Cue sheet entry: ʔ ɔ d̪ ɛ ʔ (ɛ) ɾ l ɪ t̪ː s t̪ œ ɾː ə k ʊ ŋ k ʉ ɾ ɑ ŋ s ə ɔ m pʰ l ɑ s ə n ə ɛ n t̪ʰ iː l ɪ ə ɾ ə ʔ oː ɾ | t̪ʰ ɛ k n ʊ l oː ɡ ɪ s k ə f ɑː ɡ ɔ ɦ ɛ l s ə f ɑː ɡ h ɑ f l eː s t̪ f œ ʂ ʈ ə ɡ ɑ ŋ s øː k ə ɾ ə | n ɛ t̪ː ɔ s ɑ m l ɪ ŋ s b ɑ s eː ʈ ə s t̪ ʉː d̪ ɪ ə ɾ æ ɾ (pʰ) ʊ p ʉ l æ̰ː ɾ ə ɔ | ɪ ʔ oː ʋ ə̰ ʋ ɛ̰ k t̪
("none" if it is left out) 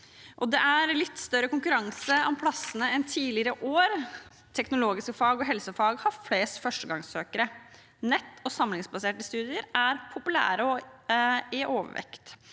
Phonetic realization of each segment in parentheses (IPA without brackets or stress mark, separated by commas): æ, pʰ